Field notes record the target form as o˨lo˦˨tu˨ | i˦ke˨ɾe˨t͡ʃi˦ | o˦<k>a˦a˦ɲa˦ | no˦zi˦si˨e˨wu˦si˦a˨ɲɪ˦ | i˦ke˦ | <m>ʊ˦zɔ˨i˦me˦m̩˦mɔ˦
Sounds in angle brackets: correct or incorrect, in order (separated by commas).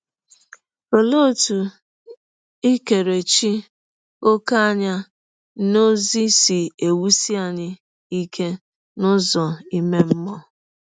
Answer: correct, incorrect